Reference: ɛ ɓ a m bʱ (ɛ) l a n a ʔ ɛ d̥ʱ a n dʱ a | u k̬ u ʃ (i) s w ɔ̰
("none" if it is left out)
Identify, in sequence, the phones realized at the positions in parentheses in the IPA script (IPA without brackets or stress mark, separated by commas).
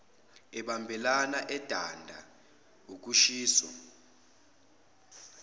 ɛ, iː